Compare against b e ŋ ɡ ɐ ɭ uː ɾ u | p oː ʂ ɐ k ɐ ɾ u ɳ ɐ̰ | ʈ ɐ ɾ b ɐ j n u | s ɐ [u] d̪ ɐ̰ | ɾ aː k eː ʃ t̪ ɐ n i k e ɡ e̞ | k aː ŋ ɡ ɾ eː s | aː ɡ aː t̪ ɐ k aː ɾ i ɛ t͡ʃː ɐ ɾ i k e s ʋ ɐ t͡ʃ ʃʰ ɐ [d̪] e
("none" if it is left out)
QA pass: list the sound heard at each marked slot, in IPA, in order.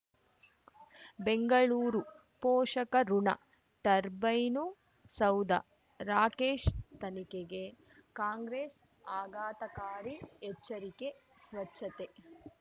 w, t̪

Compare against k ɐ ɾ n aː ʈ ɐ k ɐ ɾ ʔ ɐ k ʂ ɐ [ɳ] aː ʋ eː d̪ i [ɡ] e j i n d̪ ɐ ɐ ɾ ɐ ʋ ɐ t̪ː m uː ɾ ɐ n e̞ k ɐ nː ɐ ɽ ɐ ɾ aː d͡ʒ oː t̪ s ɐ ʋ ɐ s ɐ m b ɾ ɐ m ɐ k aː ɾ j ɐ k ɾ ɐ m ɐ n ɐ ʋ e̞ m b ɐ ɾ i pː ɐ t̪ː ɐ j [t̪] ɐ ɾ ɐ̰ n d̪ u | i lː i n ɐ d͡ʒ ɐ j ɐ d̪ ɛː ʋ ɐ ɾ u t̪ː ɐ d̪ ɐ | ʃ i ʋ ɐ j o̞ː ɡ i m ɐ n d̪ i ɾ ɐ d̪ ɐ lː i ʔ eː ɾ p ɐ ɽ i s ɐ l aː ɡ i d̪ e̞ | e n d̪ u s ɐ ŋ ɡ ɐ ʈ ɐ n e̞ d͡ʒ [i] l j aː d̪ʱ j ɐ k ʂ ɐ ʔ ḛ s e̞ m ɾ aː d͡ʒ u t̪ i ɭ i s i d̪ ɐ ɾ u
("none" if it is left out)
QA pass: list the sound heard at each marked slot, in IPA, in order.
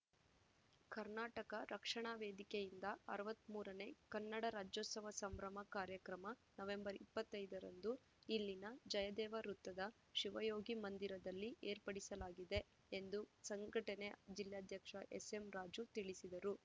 ɳ, k, d̪, i

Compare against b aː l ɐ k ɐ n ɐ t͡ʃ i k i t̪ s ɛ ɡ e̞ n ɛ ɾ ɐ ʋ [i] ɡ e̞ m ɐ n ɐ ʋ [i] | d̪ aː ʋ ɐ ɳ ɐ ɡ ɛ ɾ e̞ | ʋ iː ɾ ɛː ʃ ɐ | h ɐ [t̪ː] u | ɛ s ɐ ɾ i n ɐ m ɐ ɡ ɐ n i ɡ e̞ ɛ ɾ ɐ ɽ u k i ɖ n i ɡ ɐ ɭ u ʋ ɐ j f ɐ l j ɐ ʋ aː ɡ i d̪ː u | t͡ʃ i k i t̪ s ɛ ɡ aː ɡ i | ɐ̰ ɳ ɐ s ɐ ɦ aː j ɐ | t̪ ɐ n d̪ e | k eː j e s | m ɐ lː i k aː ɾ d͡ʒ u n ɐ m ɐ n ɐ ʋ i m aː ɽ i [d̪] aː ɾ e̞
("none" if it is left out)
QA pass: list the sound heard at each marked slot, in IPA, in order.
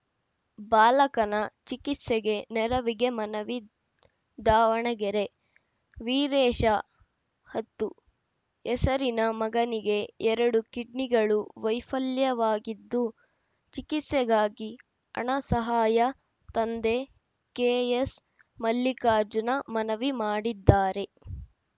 i, i, t̪ː, d̪ː

